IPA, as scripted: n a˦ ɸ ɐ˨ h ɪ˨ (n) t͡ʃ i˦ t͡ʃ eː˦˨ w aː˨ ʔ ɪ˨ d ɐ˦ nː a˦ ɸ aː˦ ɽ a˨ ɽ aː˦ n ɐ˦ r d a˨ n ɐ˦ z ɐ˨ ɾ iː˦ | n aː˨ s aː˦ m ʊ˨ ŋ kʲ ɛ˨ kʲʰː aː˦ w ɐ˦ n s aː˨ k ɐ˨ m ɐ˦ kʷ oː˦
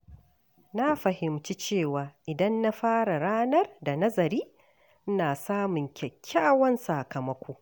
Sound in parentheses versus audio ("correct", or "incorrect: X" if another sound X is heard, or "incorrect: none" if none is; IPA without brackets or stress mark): incorrect: m